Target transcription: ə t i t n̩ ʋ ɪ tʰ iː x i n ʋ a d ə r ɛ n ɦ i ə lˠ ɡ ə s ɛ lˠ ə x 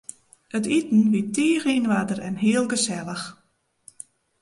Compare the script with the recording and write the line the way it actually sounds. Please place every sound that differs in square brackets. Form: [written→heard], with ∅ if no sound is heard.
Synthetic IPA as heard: ə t i t n̩ ʋ [ɪ→i] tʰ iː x i n ʋ a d ə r ɛ n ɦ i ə lˠ ɡ ə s ɛ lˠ ə x